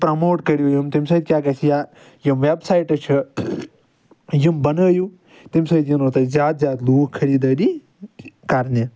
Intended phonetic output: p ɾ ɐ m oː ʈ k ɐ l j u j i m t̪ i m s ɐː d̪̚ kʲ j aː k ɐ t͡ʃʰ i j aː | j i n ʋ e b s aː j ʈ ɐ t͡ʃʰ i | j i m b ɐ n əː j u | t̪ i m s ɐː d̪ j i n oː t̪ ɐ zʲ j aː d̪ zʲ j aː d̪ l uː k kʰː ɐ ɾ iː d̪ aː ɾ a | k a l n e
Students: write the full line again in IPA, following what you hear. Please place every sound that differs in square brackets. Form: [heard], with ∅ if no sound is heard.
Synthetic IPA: p ɾ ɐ m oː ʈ k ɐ [ɾ] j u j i m t̪ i m s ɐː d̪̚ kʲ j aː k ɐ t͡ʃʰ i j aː | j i [m] ʋ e b s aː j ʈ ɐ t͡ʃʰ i | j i m b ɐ n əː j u | t̪ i m s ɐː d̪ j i n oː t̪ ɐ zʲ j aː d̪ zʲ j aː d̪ l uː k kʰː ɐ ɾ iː d̪ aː ɾ [i] | k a [ɾ] n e